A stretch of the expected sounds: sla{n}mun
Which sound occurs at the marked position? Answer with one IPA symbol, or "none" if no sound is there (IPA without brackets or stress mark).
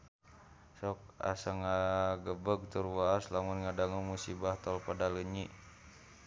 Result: none